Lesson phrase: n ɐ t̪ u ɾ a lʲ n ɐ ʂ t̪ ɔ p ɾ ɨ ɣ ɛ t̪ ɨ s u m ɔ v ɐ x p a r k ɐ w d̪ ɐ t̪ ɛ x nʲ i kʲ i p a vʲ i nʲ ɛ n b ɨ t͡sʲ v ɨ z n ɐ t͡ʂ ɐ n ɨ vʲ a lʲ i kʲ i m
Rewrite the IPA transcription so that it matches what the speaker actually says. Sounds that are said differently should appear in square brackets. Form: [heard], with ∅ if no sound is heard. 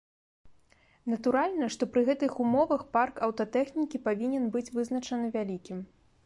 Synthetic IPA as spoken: n ɐ t̪ u ɾ a lʲ n ɐ ʂ t̪ ɔ p ɾ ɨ ɣ ɛ t̪ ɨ [x] u m ɔ v ɐ x p a r k ɐ w [t̪] ɐ t̪ ɛ x nʲ i kʲ i p a vʲ i nʲ ɛ n b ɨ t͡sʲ v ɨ z n ɐ t͡ʂ ɐ n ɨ vʲ a lʲ i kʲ i m